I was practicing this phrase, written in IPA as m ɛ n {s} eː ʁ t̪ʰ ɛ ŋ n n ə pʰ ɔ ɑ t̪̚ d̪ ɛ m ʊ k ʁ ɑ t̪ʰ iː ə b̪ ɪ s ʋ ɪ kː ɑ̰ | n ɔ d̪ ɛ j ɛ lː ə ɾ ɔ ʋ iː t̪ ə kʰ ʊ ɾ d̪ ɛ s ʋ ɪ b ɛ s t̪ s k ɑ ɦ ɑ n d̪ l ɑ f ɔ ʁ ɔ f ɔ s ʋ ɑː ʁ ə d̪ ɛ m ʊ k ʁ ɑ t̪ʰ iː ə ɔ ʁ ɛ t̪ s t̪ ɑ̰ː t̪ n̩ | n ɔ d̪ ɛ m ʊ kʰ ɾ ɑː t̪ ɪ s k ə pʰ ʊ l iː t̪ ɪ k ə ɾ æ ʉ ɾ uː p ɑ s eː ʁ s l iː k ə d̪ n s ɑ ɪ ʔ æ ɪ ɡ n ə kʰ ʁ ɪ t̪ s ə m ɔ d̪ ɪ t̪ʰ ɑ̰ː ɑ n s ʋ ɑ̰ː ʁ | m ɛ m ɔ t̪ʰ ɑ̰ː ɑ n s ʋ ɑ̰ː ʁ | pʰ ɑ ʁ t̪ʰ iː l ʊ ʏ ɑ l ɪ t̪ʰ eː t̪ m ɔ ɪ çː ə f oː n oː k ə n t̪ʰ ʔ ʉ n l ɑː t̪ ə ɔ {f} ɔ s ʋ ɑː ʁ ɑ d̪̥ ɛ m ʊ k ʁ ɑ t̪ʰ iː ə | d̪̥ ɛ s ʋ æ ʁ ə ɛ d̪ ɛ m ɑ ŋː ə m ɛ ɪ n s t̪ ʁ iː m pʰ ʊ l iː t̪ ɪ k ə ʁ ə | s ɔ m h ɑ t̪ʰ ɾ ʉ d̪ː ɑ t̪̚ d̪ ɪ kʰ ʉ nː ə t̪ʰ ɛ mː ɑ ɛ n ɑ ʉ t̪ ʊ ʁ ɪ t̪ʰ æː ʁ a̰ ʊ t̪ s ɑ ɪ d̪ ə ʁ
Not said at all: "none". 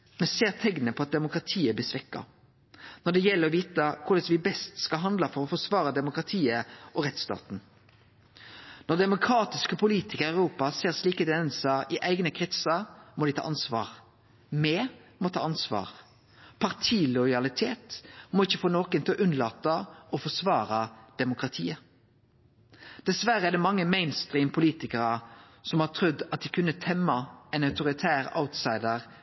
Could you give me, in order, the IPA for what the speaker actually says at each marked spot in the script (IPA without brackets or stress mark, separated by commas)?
s, f